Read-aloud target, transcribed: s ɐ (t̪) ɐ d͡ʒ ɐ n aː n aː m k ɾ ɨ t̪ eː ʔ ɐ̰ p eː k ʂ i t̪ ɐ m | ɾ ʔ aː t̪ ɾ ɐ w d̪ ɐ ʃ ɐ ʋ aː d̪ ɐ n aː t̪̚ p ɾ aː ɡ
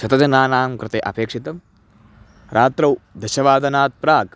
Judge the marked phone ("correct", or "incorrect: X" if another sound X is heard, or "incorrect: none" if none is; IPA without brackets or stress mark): correct